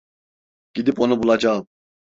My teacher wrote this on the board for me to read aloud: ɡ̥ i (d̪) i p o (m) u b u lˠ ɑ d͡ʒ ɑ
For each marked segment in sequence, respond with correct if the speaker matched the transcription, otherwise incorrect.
correct, incorrect

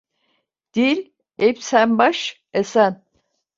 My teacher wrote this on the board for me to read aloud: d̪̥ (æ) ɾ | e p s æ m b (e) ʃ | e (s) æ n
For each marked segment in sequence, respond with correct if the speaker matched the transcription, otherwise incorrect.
incorrect, incorrect, correct

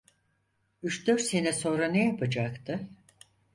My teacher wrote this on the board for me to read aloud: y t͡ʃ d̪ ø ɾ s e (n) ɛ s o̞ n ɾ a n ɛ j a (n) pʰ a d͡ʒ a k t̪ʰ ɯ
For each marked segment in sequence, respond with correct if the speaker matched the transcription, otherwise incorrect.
correct, incorrect

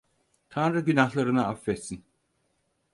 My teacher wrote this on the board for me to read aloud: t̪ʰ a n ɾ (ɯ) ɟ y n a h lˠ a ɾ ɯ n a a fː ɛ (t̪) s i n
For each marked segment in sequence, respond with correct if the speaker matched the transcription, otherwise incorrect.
correct, correct

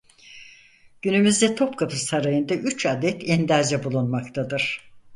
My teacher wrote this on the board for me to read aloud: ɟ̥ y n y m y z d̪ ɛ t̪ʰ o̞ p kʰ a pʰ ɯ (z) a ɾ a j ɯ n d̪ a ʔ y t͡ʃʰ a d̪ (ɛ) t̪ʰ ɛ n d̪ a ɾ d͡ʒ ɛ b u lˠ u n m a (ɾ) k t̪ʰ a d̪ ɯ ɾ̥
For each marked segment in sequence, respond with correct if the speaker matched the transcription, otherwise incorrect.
incorrect, correct, incorrect

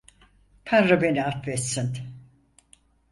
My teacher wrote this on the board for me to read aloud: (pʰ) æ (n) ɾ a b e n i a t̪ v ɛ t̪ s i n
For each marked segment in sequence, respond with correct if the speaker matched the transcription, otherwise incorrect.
correct, correct

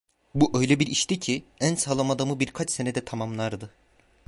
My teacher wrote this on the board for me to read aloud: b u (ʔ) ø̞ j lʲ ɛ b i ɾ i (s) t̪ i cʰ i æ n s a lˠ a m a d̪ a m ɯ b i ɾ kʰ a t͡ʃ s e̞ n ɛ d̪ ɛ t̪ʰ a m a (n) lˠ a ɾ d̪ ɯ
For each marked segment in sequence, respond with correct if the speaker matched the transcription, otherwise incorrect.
correct, incorrect, incorrect

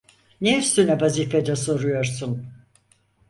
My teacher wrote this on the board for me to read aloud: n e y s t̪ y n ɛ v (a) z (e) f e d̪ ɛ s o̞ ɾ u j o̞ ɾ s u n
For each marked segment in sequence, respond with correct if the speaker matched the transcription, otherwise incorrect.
correct, incorrect

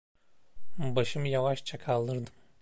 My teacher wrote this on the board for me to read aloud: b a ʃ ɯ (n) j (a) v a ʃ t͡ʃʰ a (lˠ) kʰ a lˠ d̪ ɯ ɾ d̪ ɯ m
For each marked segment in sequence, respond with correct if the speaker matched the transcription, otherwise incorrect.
incorrect, correct, incorrect

